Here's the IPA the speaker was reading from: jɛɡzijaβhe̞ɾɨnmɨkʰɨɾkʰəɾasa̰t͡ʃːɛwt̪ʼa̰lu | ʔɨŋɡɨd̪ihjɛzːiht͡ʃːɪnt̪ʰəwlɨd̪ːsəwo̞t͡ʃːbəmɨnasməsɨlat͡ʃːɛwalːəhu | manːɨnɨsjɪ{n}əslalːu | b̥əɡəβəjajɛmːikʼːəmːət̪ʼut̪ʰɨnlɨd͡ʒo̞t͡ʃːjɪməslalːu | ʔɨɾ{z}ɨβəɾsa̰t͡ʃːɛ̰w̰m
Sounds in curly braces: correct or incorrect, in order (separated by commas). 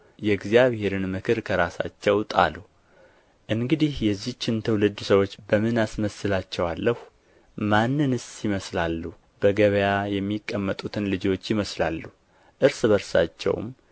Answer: incorrect, incorrect